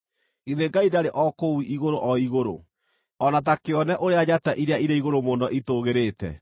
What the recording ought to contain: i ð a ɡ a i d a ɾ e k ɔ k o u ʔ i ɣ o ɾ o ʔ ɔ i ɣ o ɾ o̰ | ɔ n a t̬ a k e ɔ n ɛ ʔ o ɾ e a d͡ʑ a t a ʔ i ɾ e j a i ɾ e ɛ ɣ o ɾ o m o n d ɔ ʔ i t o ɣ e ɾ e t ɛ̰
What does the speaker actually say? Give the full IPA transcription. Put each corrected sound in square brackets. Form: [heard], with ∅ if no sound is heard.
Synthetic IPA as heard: i ð [e] ɡ a i d a ɾ e [ʔ] ɔ k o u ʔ i ɣ o ɾ o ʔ ɔ i ɣ o ɾ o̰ | ɔ n a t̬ a k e ɔ n ɛ ʔ o ɾ e a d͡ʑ a t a ʔ i ɾ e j a i ɾ e [i] ɣ o ɾ o m o n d ɔ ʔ i t o ɣ e ɾ e t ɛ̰

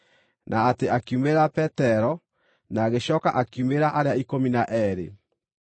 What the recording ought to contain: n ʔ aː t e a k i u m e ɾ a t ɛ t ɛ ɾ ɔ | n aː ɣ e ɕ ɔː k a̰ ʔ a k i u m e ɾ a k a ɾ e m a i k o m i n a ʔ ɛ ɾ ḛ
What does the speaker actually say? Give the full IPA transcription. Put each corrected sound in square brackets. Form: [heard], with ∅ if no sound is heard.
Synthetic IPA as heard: n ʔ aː t e a k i u m e ɾ a [p] ɛ t ɛ ɾ ɔ | n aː ɣ e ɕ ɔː k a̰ ʔ a k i u m e ɾ a [ʔ] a ɾ e [∅] a i k o m i n a ʔ ɛ ɾ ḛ

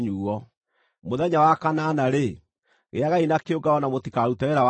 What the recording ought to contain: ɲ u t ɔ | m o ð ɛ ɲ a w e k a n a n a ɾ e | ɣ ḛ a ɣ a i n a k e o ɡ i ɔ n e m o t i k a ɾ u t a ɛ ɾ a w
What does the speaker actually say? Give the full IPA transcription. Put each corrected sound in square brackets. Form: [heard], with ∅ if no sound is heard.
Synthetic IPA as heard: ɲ u [∅] ɔ | m o ð ɛ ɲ a w [a] k a n a n a ɾ e | ɣ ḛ a ɣ a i n a k e o ɡ [a] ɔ n [a] m o t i k a ɾ u t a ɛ ɾ a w

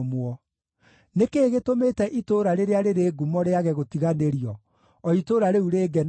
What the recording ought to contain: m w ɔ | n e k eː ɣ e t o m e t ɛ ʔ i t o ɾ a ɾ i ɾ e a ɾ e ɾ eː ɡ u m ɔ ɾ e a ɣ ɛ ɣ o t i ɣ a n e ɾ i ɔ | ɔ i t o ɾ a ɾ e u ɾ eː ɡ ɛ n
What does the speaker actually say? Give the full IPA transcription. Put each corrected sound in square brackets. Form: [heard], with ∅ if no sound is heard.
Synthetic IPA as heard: m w ɔ | n e k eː ɣ e t o m e t ɛ ʔ i t o ɾ a ɾ [e] ɾ e a ɾ e ɾ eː ɡ u m ɔ ɾ e a ɣ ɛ ɣ o t i ɣ a n e ɾ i ɔ | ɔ i t o ɾ a ɾ e u ɾ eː ɡ ɛ n

